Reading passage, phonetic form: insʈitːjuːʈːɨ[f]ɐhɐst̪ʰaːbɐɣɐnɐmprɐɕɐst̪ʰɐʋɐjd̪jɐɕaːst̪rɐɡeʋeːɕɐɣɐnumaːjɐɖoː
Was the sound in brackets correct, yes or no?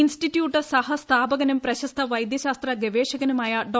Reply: no